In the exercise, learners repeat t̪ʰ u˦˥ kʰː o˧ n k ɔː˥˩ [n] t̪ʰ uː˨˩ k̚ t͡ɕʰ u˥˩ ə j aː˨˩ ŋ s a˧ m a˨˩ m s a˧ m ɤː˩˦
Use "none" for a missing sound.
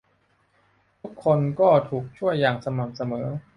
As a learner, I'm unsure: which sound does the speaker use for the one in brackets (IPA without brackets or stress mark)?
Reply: none